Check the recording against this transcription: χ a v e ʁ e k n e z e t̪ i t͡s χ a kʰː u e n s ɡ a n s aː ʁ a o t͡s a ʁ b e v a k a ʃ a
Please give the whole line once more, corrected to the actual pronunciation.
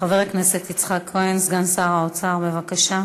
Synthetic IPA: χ a v e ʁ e k n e s e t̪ i t͡s χ a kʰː o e n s ɡ a n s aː ʁ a o t͡s a ʁ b e v a k a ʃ a